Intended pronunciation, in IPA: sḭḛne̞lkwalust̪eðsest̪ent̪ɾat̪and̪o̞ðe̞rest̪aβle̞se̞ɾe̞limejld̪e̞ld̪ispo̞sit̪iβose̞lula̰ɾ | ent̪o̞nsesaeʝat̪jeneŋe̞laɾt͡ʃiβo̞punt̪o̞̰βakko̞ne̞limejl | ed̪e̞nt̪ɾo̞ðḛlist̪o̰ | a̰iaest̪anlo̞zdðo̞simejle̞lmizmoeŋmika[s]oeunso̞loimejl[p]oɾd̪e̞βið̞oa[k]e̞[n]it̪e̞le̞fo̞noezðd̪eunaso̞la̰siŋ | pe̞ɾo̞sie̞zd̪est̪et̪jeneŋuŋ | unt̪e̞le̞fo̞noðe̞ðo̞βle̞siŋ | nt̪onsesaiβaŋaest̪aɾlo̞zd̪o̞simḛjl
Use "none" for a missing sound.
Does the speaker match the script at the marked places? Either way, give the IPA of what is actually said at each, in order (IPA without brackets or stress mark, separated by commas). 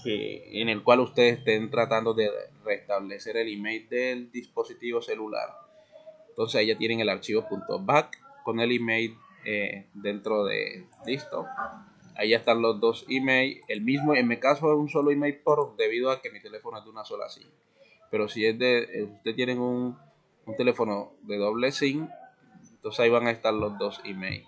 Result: s, p, k, m